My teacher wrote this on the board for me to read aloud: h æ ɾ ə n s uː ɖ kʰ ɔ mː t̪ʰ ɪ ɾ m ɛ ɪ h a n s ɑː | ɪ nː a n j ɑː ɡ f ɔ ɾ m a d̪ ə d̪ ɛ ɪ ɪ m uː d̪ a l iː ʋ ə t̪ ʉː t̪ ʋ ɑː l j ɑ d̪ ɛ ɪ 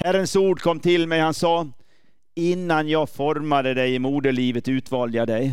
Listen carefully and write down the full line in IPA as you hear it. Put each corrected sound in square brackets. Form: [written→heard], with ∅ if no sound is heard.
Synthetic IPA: h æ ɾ ə n s uː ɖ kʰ ɔ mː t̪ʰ ɪ [ɾ→l] m ɛ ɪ h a n s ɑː | ɪ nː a n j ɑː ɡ f ɔ ɾ m a d̪ ə d̪ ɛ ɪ ɪ m uː d̪ [a→ə] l iː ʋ ə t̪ ʉː t̪ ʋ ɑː l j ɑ d̪ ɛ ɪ